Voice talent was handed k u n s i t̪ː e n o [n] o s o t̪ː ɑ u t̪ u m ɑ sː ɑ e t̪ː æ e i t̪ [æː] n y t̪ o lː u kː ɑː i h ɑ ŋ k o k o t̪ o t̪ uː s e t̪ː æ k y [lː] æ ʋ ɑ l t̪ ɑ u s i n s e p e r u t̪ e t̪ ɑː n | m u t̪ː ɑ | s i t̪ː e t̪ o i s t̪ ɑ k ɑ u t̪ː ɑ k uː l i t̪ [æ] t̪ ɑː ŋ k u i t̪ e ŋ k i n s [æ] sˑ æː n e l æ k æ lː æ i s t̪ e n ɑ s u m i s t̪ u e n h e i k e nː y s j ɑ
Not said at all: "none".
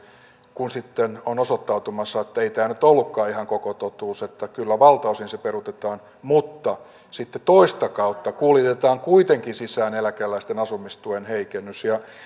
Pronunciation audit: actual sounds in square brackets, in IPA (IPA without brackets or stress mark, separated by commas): n, æː, lː, e, i